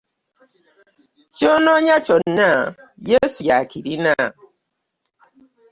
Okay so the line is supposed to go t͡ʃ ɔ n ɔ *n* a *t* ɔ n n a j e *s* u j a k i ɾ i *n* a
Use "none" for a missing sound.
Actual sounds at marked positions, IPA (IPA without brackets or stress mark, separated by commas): ɲ, t͡ʃ, s, n